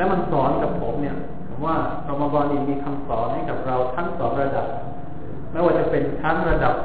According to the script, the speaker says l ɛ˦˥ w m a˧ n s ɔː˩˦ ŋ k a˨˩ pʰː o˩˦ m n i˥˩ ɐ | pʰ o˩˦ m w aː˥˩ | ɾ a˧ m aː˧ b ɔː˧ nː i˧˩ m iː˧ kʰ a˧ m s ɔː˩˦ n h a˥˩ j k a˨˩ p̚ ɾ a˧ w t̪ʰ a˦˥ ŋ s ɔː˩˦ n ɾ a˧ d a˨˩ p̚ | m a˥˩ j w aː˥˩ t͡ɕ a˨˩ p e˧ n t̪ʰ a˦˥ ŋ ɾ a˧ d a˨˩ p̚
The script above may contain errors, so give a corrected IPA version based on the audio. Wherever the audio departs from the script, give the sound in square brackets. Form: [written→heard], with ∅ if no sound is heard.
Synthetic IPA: l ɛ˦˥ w m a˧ n s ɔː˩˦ [ŋ→n] k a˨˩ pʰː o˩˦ m n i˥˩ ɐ | pʰ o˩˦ m w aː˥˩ | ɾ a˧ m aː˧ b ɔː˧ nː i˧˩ m iː˧ kʰ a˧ m s ɔː˩˦ n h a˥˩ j k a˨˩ p̚ ɾ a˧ w t̪ʰ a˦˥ ŋ s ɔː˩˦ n ɾ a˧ d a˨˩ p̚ | m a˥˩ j w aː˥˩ t͡ɕ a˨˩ p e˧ n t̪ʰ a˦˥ ŋ ɾ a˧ d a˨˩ p̚